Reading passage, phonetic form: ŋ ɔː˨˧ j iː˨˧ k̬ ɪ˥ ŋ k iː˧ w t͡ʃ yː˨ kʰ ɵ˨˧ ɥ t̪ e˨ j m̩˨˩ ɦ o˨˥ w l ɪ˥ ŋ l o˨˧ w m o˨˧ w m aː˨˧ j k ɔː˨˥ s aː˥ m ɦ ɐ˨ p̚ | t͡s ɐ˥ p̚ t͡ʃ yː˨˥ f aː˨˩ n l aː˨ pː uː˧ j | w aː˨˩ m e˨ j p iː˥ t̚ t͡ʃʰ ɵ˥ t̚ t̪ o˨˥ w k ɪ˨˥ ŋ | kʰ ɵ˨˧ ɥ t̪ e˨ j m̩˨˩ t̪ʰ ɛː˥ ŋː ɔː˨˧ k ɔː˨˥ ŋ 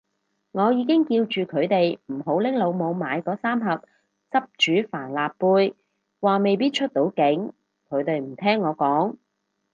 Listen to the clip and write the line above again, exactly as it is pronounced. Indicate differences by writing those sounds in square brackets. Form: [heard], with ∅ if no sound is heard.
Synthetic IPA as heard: ŋ ɔː˨˧ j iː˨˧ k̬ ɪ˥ ŋ k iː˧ w t͡ʃ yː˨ kʰ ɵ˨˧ ɥ t̪ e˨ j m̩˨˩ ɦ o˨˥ w l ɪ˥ ŋ l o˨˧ w m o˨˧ w m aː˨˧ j k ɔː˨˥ s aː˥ m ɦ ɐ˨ p̚ | t͡s ɐ˥ p̚ t͡ʃ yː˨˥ f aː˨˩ n l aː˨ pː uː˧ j | w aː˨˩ m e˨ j p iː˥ t̚ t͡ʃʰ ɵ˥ t̚ t̪ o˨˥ w k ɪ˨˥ ŋ | kʰ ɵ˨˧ ɥ t̪ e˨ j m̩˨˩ t̪ʰ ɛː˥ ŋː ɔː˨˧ k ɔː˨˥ ŋ

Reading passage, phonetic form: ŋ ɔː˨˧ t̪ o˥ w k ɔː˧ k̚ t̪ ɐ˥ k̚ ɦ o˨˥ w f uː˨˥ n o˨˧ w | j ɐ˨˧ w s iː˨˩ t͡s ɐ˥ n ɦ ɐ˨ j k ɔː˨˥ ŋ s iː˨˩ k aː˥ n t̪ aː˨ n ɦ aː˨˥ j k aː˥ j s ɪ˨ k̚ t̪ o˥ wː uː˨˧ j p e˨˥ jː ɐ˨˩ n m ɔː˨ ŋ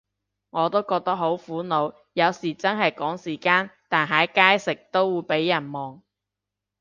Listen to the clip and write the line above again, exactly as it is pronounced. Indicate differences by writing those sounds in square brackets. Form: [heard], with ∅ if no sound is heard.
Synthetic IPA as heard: ŋ ɔː˨˧ t̪ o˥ w k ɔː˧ k̚ t̪ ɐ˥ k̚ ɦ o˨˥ w f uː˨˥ n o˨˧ w | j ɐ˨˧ w s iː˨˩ t͡s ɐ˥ n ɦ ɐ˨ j k ɔː˨˥ ŋ s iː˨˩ k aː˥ n t̪ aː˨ n ɦ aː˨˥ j k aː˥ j s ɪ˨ k̚ t̪ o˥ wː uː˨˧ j p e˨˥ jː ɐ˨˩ n m ɔː˨ ŋ

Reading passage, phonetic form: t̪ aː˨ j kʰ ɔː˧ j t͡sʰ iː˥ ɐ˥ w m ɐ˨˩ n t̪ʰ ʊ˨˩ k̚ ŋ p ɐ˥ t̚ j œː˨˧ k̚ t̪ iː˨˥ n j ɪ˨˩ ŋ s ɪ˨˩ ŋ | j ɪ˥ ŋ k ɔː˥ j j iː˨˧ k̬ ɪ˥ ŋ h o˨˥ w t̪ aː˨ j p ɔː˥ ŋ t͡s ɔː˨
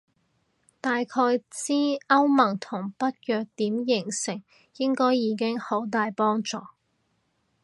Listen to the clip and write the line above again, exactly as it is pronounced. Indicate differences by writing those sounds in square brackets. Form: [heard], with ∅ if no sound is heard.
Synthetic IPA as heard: t̪ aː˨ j kʰ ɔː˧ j [t͡s] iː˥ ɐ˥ w m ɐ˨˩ [ŋ] t̪ʰ ʊ˨˩ [∅] ŋ p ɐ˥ t̚ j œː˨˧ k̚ t̪ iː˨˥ [m] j ɪ˨˩ ŋ s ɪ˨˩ ŋ | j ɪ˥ ŋ k ɔː˥ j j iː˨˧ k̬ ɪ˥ ŋ h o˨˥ w t̪ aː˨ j p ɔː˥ ŋ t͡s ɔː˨

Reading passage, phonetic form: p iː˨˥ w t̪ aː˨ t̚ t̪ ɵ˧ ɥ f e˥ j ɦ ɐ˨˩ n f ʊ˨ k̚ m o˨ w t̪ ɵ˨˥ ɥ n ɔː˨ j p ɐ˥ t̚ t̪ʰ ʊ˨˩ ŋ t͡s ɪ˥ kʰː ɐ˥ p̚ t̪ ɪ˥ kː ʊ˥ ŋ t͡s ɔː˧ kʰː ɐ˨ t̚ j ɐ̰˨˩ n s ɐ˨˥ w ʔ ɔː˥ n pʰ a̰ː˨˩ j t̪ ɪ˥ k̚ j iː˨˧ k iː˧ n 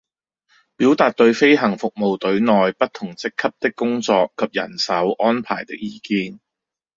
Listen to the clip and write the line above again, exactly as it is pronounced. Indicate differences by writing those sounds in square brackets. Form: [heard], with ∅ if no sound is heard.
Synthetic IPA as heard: p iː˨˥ w t̪ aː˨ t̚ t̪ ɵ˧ ɥ f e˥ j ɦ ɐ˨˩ [ŋ] f ʊ˨ k̚ m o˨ w t̪ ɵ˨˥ ɥ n ɔː˨ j p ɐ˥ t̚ t̪ʰ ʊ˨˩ ŋ t͡s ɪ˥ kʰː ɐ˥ p̚ t̪ ɪ˥ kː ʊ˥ ŋ t͡s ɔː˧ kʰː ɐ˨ [p̚] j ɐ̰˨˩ n s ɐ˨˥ w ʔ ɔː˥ n pʰ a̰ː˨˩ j t̪ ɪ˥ k̚ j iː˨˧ k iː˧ n

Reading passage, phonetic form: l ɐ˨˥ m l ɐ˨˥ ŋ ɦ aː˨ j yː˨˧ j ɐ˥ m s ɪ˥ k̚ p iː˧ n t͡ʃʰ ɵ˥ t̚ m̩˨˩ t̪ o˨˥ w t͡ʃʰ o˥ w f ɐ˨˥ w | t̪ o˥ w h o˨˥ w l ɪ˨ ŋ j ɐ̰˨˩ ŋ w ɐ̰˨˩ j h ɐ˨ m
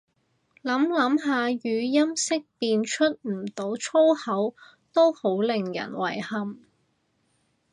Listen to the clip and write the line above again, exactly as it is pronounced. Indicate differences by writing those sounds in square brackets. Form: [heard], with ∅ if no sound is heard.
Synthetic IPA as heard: l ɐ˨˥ m l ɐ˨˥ [m] ɦ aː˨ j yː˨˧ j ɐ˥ m s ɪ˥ k̚ p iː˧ n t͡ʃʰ ɵ˥ t̚ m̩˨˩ t̪ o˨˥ w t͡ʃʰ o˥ w [h] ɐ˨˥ w | t̪ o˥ w h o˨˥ w l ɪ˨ ŋ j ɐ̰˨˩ [n] w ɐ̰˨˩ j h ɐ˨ m

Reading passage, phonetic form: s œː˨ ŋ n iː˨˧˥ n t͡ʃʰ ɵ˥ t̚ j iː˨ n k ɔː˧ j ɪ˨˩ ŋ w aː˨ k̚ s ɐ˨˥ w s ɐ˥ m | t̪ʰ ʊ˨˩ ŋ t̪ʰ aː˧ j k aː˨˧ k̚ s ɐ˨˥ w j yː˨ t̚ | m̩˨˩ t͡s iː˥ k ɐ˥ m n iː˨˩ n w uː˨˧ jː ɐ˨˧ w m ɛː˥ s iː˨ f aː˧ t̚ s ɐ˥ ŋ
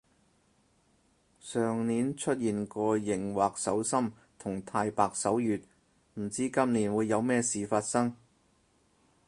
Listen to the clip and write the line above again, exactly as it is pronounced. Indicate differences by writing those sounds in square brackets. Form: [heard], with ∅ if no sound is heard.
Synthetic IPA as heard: s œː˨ ŋ n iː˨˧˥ n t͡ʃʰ ɵ˥ t̚ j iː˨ n k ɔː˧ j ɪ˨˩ ŋ w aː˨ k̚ s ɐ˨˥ w s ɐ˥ m | t̪ʰ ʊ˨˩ ŋ t̪ʰ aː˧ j [p] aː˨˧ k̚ s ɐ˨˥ w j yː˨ t̚ | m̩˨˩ t͡s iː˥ k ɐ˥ m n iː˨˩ n w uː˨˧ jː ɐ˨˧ w m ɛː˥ s iː˨ f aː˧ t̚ s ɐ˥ ŋ

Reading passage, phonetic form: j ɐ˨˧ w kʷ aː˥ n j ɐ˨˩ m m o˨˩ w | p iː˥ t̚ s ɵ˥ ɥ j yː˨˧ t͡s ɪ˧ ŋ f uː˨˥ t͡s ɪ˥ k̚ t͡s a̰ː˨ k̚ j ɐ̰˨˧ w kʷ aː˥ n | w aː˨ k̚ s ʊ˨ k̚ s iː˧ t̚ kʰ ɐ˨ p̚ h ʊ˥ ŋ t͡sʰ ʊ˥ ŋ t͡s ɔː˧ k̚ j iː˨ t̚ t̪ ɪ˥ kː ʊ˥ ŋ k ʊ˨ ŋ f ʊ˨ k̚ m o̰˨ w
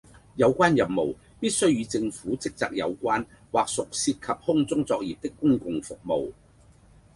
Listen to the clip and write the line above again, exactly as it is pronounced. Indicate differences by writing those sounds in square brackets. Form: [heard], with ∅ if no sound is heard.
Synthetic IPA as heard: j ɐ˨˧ w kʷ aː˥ n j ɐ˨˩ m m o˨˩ w | p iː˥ t̚ s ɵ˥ ɥ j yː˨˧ t͡s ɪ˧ ŋ f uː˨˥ t͡s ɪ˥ k̚ t͡s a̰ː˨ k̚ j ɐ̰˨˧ w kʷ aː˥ n | w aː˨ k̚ s ʊ˨ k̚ s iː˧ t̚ kʰ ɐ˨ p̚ h ʊ˥ ŋ [t͡s] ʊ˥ ŋ t͡s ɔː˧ k̚ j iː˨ [p̚] t̪ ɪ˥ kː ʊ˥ ŋ k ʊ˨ ŋ f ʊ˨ k̚ m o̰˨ w

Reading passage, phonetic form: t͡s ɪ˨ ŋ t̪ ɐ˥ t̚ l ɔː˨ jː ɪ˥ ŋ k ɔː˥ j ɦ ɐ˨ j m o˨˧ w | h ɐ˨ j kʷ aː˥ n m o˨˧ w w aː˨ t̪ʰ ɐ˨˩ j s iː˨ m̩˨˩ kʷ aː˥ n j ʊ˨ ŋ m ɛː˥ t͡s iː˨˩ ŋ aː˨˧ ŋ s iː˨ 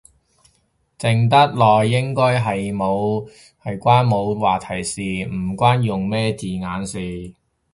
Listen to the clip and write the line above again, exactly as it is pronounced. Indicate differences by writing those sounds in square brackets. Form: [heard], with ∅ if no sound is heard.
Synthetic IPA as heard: t͡s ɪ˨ ŋ t̪ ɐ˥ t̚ l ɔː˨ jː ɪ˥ ŋ k ɔː˥ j ɦ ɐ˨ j m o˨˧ w | h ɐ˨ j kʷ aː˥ n m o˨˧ w w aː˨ t̪ʰ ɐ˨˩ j s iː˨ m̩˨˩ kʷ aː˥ n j ʊ˨ ŋ m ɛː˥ t͡s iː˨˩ ŋ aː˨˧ [n] s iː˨

